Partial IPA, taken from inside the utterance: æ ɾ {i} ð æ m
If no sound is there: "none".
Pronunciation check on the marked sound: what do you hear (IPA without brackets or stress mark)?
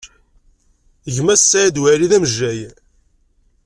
i